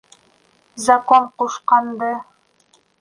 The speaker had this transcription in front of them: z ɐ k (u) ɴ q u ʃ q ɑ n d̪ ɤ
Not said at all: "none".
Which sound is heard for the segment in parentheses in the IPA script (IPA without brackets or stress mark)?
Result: o